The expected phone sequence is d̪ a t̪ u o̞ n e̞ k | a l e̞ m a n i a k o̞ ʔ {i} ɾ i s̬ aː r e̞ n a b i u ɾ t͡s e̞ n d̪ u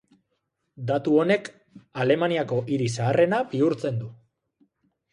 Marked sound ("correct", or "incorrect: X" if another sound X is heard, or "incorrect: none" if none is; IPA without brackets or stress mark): correct